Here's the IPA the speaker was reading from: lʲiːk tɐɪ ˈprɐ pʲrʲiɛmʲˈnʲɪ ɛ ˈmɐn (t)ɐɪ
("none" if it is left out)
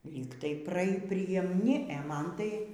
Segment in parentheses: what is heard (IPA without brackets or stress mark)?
t